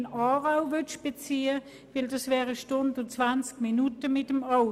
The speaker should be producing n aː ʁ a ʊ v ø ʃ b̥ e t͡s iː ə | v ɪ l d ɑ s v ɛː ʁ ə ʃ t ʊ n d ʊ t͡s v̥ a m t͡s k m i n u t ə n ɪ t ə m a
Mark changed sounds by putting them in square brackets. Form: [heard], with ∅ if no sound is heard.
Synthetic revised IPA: n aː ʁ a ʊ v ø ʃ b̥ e t͡s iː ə | v ɪ l d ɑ s v ɛː ʁ ə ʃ t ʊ n d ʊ t͡s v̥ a [n] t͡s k m i n u t ə [m] ɪ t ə m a